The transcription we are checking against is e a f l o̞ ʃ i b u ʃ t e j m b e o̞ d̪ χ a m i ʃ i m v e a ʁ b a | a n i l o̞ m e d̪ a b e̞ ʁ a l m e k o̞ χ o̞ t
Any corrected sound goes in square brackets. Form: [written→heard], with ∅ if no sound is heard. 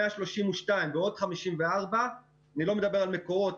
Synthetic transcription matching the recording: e a [f→ʃ] l o̞ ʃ i [b→m] u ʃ t [e→a] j m b e o̞ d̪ χ a m i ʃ i m v e a ʁ b a | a n i l o̞ m e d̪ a b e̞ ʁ a l m e k o̞ [χ→ʁ] o̞ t